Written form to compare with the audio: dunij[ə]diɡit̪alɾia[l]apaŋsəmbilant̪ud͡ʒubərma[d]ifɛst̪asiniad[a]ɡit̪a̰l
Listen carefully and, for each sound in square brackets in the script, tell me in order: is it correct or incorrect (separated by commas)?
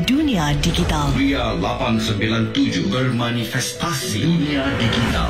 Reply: incorrect, correct, incorrect, incorrect